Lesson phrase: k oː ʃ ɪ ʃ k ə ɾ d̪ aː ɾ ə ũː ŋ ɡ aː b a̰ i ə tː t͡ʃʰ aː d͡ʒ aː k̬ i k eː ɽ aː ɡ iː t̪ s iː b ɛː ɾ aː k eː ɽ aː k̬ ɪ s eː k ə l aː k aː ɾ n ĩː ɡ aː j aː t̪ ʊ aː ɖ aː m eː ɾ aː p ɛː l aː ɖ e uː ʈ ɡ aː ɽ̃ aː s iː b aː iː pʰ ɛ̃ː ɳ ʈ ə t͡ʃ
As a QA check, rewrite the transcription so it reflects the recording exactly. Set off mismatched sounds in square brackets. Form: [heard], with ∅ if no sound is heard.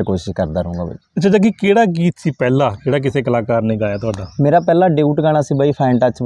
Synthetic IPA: k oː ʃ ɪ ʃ k ə ɾ d̪ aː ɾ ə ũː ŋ ɡ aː b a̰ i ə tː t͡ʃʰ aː d͡ʒ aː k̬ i k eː ɽ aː ɡ iː t̪ s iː [p] ɛː [l] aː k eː ɽ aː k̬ ɪ s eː k ə l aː k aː ɾ n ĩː ɡ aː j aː t̪ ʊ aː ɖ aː m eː ɾ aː p ɛː l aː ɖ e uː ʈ ɡ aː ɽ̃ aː s iː b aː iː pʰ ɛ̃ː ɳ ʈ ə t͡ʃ